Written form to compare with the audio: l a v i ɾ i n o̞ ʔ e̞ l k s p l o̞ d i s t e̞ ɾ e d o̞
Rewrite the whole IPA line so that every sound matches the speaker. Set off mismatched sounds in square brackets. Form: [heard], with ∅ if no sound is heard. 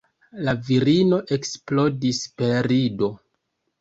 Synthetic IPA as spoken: l a v i ɾ i n o̞ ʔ e̞ [∅] k s p l o̞ d i s [p] e̞ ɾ [i] d o̞